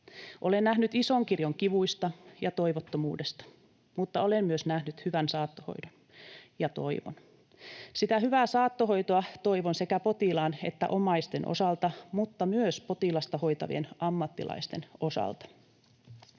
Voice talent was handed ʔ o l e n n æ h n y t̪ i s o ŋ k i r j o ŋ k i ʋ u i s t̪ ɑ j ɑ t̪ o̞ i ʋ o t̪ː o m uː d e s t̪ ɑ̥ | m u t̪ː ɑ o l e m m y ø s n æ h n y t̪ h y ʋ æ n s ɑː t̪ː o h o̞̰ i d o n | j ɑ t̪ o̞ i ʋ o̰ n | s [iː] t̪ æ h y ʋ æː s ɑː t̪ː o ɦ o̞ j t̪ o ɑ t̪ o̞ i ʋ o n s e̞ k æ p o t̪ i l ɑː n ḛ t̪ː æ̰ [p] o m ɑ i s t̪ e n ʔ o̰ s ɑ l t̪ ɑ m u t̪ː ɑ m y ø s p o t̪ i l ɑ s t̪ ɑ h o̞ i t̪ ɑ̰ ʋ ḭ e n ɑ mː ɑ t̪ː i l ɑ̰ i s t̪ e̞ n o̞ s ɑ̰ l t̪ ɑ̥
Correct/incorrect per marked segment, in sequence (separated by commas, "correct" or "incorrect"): incorrect, incorrect